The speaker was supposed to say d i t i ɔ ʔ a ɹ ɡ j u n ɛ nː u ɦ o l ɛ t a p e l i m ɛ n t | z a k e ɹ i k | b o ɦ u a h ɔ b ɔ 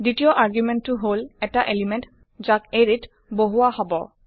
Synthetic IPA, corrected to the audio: d i t i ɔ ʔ a ɹ ɡ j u m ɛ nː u ɦ o l ɛ t a ʔ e l i m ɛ n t | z a k e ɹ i t | b o ɦ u a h ɔ b ɔ